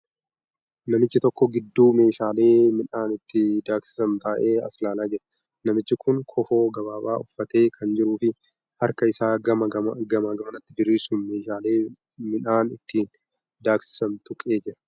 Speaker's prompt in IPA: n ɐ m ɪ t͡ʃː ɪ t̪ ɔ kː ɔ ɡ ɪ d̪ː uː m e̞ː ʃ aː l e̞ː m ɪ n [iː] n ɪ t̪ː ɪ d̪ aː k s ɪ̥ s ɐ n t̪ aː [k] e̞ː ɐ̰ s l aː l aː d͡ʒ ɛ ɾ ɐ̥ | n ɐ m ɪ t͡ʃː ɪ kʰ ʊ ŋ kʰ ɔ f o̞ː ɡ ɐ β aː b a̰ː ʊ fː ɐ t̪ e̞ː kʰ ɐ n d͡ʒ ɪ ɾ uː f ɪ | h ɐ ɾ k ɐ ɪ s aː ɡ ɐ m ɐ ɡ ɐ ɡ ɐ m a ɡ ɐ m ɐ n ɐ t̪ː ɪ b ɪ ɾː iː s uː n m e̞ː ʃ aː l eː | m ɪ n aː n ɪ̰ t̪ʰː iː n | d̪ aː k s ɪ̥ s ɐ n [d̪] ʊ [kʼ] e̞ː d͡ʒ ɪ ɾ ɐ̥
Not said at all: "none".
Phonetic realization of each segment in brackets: aː, ʔ, t̪, kʼ

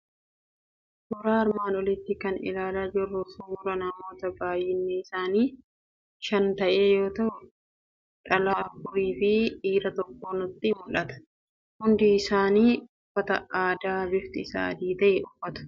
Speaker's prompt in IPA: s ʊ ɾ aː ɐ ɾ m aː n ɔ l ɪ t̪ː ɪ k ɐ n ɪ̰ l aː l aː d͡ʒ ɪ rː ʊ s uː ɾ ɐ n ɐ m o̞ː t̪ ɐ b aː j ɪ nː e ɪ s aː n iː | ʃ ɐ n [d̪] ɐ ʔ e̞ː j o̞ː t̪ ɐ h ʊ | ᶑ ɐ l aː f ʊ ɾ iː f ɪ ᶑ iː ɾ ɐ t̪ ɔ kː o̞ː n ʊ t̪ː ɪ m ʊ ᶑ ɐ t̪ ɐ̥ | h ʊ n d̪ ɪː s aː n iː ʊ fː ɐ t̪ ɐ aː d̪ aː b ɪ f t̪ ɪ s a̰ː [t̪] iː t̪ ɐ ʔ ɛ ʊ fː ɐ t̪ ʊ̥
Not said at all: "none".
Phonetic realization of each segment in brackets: t̪, d̪

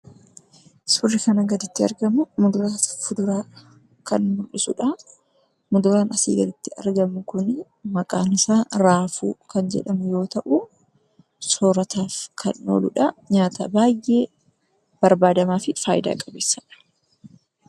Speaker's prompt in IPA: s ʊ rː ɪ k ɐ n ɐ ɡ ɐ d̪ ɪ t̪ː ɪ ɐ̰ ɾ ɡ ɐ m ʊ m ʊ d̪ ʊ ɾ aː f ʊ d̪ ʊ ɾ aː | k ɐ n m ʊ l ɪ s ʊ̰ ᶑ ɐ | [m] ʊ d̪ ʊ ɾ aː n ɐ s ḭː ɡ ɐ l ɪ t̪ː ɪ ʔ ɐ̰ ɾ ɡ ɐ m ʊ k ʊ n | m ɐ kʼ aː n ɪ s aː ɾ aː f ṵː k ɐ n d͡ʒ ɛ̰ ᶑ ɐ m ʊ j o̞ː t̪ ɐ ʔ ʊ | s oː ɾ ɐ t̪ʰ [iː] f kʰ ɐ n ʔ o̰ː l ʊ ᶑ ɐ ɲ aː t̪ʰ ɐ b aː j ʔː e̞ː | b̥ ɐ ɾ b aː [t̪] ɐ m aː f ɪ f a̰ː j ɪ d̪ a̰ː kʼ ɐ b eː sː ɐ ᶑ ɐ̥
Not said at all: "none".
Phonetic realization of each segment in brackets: m, aː, d̪

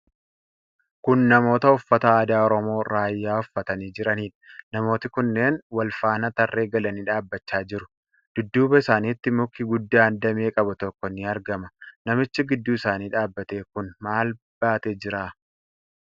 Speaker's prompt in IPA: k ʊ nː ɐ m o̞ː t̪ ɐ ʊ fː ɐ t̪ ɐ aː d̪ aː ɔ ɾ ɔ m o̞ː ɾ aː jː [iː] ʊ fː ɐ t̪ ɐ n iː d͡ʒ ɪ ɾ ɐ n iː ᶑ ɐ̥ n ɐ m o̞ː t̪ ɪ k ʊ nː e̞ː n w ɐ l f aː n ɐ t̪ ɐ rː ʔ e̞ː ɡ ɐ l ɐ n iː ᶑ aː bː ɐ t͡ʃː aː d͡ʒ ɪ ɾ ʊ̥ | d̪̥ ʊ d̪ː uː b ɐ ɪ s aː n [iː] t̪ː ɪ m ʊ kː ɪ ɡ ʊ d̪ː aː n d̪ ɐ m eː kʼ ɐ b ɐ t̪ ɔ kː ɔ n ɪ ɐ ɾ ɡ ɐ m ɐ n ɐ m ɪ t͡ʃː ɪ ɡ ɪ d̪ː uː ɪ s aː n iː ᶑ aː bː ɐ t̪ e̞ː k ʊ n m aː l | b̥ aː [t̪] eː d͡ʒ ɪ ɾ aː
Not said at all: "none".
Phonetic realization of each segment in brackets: aː, iː, t̪

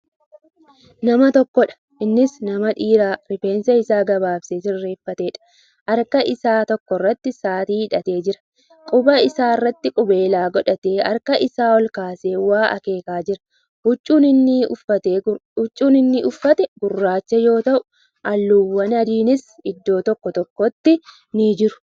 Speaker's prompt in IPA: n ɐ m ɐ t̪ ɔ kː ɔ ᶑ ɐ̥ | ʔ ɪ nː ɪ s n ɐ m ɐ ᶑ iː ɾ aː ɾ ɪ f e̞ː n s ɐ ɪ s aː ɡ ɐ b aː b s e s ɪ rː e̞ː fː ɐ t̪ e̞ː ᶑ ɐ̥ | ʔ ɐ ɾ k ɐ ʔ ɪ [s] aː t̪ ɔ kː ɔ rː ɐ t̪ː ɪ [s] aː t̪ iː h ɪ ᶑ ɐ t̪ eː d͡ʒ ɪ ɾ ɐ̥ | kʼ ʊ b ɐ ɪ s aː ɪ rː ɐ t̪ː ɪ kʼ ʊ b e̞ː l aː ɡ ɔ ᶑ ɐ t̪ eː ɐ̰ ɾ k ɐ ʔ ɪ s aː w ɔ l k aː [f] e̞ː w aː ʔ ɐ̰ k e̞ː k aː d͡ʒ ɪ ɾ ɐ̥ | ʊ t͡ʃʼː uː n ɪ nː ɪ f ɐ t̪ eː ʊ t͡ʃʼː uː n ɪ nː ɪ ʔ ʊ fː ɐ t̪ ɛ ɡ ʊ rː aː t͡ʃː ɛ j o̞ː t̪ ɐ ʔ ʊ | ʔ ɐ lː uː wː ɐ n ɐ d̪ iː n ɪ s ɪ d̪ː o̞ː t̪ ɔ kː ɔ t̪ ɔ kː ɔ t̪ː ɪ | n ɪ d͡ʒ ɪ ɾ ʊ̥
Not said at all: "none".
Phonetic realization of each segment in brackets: s, s, s

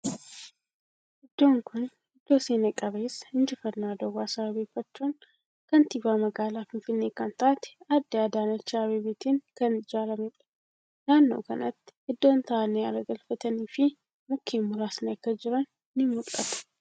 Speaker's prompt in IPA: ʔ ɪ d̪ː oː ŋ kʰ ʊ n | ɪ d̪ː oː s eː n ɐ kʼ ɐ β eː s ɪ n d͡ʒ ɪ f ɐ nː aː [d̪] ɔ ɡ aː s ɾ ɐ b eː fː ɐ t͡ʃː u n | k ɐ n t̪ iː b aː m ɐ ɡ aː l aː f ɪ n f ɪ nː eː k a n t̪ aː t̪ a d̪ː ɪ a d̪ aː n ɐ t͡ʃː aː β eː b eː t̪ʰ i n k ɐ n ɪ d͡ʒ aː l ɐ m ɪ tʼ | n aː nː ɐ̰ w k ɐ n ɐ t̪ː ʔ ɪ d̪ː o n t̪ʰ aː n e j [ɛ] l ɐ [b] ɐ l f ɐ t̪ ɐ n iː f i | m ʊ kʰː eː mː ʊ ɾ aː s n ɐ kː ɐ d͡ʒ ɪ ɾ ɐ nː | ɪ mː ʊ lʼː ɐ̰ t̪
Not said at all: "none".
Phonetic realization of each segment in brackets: d̪, a, ɡ

